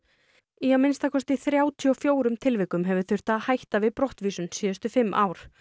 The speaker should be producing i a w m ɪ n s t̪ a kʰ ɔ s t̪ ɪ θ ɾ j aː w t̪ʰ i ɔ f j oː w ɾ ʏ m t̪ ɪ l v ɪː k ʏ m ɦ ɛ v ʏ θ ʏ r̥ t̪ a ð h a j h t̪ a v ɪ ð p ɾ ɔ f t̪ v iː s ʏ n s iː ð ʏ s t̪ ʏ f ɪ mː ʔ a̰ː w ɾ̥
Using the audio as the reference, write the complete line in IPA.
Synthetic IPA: i a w m ɪ n s t̪ a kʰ ɔ s t̪ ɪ θ ɾ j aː w t̪ʰ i ɔ f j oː w ɾ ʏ m t̪ʰ ɪ l v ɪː k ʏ m ɦ ɛ v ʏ θ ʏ r̥ t̪ a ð h a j h t̪ a v ɪ ð p ɾ ɔ h t̪ v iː s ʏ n s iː ð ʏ s t̪ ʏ f ɪ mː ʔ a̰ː w ɾ̥